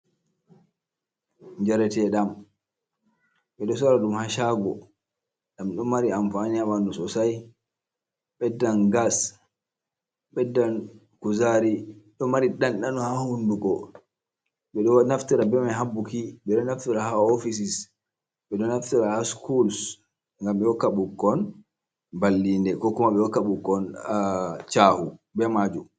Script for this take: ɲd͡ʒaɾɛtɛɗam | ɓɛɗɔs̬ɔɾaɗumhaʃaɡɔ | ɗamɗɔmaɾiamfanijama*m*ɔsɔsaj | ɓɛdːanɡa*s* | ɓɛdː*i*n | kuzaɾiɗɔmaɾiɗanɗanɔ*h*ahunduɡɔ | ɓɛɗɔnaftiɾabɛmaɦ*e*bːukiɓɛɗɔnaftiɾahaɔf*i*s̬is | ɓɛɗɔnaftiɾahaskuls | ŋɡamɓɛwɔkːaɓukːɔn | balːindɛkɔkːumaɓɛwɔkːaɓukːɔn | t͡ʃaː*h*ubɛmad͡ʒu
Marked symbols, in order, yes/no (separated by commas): no, yes, no, yes, no, yes, yes